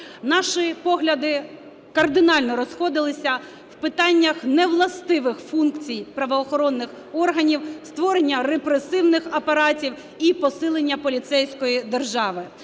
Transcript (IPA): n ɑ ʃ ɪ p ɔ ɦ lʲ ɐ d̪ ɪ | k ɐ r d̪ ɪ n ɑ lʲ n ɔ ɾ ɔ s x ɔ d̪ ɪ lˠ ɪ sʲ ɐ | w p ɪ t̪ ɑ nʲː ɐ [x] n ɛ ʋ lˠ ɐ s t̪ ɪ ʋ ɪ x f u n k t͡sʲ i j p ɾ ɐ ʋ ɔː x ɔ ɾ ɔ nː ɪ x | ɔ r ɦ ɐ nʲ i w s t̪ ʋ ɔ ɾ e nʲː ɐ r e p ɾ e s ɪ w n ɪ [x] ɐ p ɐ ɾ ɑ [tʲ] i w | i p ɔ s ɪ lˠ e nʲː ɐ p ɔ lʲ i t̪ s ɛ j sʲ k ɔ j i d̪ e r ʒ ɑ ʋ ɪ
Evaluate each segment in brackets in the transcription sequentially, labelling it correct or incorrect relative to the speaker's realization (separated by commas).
correct, correct, correct